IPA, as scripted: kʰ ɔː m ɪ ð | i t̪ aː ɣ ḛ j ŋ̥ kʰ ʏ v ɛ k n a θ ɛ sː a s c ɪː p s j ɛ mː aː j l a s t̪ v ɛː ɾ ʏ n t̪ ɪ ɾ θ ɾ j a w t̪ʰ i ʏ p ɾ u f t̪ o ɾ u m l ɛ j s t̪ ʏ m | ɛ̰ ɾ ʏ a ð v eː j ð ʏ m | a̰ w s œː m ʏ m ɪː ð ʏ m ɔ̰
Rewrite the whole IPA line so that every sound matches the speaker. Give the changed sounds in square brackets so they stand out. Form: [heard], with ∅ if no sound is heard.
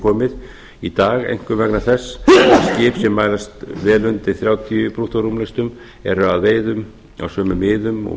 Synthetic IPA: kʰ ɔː m ɪ ð | i t̪ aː ɣ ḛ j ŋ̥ [k] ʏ v ɛ k n a θ ɛ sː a s c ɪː p s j ɛ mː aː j l a s t̪ v ɛː [l] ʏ n t̪ ɪ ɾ θ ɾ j a w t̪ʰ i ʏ p ɾ u [h] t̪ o ɾ u m l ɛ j s t̪ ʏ m | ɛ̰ ɾ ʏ a ð v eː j ð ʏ m | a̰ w s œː m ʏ m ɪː ð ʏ m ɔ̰

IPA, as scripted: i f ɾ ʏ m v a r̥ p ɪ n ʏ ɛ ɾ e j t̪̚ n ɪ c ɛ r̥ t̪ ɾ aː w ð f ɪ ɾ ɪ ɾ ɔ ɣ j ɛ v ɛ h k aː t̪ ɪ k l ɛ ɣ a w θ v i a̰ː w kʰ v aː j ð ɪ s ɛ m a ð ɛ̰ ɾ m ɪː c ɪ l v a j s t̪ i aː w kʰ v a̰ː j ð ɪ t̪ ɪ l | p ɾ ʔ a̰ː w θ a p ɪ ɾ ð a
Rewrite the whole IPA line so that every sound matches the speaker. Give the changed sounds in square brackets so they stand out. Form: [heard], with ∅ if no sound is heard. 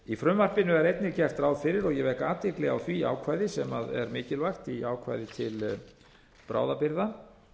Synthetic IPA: i f ɾ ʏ m v a r̥ p ɪ n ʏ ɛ ɾ e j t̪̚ n ɪ c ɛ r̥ t̪ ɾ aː w ð f ɪ ɾ ɪ ɾ ɔ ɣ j ɛ v ɛ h k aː t̪ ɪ k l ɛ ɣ a w θ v i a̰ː w kʰ v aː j ð ɪ s ɛ m a ð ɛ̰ ɾ m ɪː c ɪ l v a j [x] t̪ i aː w kʰ v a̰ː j ð ɪ [t̪ʰ] ɪ l | p ɾ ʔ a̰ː w [ð] a p ɪ ɾ ð a

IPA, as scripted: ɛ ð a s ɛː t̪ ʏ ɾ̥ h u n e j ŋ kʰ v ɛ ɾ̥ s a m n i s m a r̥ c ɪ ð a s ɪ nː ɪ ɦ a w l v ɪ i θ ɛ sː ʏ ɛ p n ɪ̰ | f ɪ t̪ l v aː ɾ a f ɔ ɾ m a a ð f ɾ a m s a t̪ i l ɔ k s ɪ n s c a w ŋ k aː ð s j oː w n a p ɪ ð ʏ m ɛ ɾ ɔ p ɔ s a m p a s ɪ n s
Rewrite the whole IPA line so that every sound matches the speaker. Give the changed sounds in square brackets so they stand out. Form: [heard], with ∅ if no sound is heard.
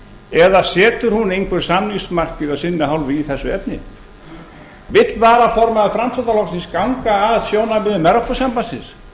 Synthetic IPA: ɛ ð a s ɛː t̪ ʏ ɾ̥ h u n e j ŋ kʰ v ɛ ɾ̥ s a m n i s m a r̥ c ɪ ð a s ɪ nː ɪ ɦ a w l v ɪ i θ ɛ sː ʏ ɛ p n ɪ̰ | [v] ɪ t̪ l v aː ɾ a f ɔ ɾ m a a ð f ɾ a m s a t̪ [a] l ɔ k s ɪ n s [k] a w ŋ k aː ð s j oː w n a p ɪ ð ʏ m ɛ ɾ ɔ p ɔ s a m p a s ɪ n s

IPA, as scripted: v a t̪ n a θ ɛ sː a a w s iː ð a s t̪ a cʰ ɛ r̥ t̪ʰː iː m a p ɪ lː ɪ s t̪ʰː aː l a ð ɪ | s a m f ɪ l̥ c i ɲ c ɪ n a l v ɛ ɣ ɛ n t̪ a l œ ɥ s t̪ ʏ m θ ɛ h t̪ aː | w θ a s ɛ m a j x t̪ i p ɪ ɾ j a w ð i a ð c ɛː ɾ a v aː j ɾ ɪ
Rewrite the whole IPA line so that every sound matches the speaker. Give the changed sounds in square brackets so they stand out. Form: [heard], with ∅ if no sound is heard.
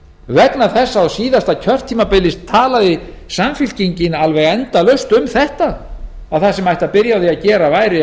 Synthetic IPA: v [ɛ] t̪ n a θ ɛ sː a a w s iː ð a s t̪ a cʰ [œ] r̥ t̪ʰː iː m a p ɪ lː ɪ s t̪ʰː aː l a ð ɪ | s a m f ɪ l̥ c i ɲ c ɪ n a l v ɛ ɣ ɛ n t̪ a l œ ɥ s t̪ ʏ m θ ɛ h t̪ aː | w θ a s ɛ m a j [h] t̪ [a] p ɪ ɾ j a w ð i a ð c ɛː ɾ a v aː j ɾ ɪ

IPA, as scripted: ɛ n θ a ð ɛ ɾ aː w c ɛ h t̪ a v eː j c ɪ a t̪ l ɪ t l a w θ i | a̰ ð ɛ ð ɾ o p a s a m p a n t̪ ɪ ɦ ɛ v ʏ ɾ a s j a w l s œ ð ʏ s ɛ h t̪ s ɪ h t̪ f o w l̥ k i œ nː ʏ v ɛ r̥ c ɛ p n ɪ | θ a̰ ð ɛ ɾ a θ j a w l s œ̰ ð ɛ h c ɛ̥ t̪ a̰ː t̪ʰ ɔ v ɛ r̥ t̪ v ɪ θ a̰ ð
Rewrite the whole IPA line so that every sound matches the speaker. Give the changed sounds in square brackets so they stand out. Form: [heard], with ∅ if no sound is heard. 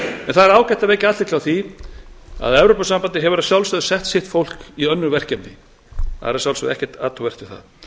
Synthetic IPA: ɛ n θ a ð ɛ ɾ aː w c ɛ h t̪ a v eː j c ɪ a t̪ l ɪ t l a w θ i | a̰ ð ɛ [v] ɾ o p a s a m p a n t̪ ɪ ɦ ɛ v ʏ ɾ a s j a w l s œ ð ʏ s ɛ h t̪ s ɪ h t̪ f o w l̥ k i œ nː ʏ v ɛ r̥ c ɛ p n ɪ | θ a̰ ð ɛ ɾ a [s] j a w l s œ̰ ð ɛ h c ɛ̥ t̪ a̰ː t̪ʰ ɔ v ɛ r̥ t̪ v ɪ θ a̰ ð

